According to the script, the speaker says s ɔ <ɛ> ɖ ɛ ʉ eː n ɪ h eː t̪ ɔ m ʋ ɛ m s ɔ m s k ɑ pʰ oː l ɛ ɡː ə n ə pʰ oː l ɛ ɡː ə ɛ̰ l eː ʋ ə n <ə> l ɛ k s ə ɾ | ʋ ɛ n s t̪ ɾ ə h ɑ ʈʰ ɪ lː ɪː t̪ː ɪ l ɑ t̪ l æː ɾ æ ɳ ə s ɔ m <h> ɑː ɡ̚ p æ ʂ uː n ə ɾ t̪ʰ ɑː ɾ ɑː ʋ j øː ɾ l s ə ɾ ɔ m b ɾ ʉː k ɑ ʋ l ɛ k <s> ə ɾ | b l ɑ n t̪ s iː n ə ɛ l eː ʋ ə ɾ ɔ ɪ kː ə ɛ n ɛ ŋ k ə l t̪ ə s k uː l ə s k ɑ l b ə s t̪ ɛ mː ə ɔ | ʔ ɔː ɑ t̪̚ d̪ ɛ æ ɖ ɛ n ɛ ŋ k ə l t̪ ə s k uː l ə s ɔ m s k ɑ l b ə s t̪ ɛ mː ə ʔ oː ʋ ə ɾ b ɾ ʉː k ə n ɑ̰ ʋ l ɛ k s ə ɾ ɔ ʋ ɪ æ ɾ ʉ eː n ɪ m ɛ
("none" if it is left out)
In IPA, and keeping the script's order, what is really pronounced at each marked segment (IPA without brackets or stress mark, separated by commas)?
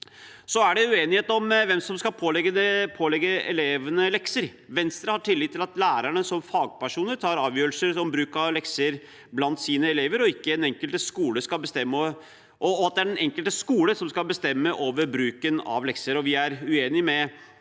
æ, ə, f, s